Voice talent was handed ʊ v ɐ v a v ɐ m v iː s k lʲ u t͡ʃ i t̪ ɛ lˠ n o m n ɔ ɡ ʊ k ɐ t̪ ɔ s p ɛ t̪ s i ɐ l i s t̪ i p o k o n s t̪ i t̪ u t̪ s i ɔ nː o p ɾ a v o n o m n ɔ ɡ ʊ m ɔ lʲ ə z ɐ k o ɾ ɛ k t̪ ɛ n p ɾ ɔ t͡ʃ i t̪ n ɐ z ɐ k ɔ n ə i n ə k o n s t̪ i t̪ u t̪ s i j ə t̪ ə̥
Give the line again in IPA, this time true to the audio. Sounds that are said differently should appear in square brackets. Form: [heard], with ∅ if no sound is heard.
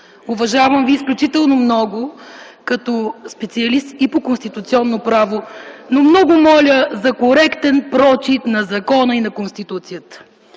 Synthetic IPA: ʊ v ɐ [ʒ] a v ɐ m v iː s k lʲ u t͡ʃ i t̪ ɛ lˠ n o m n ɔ ɡ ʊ k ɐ t̪ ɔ s p ɛ t̪ s i ɐ l i s t̪ i p o k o n s t̪ i t̪ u t̪ s i ɔ nː o p ɾ a v o n o m n ɔ ɡ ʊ m ɔ lʲ ə z ɐ k o ɾ ɛ k t̪ ɛ n p ɾ ɔ t͡ʃ i t̪ n ɐ z ɐ k ɔ n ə i n [ɐ] k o n s t̪ i t̪ u t̪ s i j ə t̪ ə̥